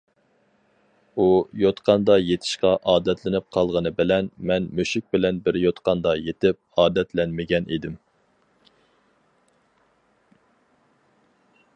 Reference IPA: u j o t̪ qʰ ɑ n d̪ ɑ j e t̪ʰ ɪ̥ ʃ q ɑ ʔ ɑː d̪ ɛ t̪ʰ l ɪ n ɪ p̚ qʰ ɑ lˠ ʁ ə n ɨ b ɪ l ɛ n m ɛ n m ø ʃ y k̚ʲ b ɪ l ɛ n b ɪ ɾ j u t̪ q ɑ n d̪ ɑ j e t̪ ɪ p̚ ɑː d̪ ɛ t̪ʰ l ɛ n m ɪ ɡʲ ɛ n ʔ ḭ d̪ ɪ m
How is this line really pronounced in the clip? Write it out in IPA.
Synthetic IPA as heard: u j o t̪ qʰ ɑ n d̪ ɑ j e t̪ʰ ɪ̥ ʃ q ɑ ʔ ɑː d̪ ɛ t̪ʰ l ɪ n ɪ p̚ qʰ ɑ lˠ ʁ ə n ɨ b ɪ l ɛ n m ɛ n m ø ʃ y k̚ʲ b ɪ l ɛ n b ɪ ɾ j o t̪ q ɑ n d̪ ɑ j e t̪ ɪ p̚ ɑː d̪ ɛ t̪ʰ l ɛ n m ɪ ɡʲ ɛ n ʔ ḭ d̪ ɪ m